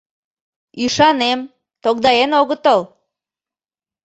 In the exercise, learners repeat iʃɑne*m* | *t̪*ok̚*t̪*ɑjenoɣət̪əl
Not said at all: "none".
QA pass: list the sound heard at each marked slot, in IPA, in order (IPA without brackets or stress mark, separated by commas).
m, t̪, d̪